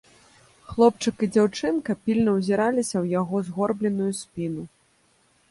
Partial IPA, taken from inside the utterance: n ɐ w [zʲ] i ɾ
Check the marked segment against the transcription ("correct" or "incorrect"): correct